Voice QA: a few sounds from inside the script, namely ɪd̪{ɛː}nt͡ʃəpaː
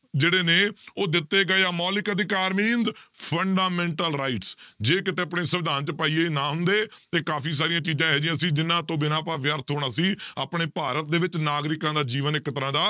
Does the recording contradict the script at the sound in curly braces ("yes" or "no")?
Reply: yes